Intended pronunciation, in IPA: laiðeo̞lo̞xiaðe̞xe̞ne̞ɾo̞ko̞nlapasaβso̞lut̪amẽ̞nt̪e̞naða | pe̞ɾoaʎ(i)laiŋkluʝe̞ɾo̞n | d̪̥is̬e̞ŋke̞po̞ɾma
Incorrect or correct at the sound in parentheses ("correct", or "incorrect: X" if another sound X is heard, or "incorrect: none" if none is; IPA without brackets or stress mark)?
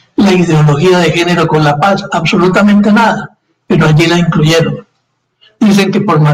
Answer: correct